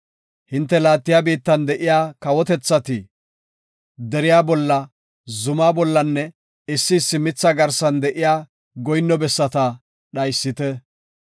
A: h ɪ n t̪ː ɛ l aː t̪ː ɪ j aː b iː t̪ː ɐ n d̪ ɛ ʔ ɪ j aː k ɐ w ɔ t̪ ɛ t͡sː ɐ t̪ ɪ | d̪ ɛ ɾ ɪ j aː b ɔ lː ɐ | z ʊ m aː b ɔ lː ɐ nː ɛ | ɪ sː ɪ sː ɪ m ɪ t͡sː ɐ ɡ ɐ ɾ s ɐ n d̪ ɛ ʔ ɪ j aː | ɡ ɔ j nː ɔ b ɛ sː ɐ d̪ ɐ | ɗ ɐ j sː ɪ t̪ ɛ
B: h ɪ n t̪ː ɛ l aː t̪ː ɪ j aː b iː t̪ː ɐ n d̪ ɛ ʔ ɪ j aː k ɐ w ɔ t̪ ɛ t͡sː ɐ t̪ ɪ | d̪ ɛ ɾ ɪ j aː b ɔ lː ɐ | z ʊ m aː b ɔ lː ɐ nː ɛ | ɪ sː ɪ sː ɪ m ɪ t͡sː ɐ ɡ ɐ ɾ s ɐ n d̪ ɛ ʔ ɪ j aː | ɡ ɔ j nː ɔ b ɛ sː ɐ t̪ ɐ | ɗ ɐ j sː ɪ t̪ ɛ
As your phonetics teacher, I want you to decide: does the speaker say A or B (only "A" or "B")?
B